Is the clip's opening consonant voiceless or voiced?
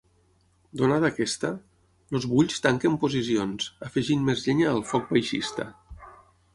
voiced